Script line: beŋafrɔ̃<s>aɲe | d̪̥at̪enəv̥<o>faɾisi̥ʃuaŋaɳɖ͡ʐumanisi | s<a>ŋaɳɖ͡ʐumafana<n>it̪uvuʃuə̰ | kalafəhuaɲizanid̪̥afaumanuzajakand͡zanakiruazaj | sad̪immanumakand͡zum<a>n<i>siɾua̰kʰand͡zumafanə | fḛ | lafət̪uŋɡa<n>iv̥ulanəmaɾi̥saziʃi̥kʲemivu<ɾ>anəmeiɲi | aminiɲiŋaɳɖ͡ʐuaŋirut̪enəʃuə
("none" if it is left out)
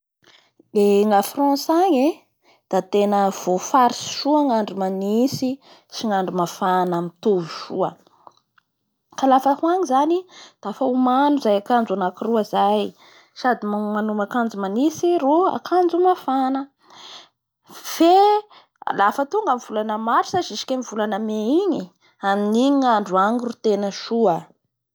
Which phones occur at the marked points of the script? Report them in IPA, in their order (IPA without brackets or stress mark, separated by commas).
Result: s, o, i, m, a, i, m, l